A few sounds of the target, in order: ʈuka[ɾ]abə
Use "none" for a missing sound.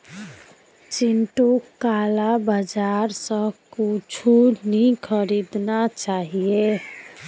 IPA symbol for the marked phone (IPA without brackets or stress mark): l